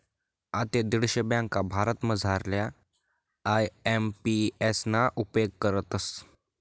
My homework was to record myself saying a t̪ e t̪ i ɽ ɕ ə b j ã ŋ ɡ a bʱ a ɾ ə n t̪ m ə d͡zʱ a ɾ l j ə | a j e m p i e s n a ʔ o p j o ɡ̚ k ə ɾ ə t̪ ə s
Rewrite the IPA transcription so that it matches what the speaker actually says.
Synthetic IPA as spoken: a t̪ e d̪ i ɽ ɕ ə b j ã ŋ k a bʱ a ɾ ə t̪ m ə d͡zʱ a ɾ l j a | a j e m p i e s n a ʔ u p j o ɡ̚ k ə ɾ ə t̪ ə s